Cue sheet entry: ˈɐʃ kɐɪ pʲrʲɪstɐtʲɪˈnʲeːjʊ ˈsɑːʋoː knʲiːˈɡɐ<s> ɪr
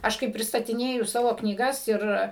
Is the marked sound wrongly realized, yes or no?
no